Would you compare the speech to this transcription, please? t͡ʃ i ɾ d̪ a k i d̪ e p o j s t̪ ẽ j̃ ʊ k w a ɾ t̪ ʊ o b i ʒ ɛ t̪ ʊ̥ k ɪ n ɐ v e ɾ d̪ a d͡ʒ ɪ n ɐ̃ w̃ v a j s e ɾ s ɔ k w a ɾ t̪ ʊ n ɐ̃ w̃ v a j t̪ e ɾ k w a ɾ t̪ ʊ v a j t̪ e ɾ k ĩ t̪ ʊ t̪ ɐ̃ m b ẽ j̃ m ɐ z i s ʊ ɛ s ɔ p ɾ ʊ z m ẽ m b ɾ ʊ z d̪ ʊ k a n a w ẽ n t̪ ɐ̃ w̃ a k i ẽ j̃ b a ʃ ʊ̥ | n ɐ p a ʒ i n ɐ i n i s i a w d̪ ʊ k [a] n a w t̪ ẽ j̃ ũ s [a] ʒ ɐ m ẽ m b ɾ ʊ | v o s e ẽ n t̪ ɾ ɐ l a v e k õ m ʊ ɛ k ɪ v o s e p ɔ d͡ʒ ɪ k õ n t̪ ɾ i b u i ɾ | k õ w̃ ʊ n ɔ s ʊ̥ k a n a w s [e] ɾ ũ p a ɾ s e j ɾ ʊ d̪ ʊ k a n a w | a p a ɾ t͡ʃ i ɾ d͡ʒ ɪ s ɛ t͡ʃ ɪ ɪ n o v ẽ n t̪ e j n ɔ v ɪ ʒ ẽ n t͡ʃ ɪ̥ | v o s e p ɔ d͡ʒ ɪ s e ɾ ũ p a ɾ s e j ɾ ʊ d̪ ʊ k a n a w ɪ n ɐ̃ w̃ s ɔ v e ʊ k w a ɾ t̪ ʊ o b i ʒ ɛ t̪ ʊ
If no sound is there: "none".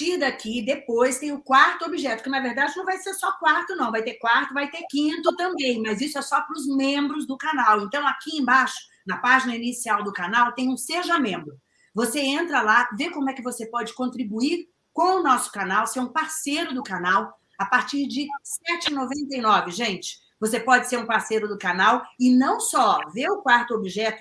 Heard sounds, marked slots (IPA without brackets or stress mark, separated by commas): a, e, e